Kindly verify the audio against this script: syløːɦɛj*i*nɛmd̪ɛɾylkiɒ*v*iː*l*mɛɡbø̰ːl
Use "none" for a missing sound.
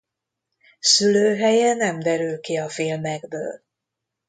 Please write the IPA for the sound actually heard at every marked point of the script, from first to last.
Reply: ɛ, f, l

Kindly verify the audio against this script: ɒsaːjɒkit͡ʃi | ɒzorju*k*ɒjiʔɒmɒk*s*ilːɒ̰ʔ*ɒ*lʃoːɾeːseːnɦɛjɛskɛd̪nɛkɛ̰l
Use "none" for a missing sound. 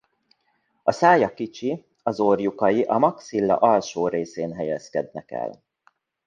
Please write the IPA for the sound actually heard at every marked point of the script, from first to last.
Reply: k, s, ɒ

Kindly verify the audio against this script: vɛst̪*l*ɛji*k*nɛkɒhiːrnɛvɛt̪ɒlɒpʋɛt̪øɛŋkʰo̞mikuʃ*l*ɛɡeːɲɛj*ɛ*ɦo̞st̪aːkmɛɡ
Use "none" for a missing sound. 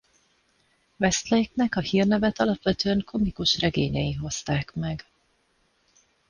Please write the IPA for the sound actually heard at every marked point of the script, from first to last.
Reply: l, k, r, i

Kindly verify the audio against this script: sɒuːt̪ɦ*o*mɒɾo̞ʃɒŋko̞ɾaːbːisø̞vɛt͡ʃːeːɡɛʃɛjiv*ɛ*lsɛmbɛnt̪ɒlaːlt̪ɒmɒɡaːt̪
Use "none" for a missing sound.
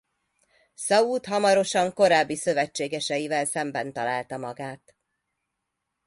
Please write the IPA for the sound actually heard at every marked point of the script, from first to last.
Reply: ɒ, ɛ

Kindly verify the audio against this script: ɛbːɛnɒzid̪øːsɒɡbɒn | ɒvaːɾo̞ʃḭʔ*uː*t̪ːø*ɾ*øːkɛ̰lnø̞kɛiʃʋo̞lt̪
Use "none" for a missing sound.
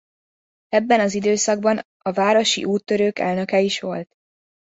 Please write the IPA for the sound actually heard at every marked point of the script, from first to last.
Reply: uː, ɾ

